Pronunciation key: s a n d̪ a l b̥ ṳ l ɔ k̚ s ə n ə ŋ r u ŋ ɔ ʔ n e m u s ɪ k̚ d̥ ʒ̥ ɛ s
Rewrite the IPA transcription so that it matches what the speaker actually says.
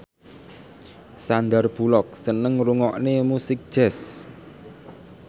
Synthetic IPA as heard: s a n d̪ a r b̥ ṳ l ɔ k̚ s ə n ə ŋ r u ŋ ɔ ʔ n e m u s ɪ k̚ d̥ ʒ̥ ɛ s